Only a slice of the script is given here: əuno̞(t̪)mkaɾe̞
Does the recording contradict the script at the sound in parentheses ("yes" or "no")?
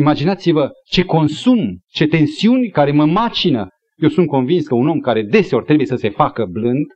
yes